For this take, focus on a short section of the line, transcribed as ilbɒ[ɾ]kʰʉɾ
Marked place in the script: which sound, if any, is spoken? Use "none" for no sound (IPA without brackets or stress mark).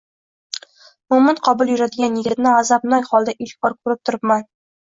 ɾ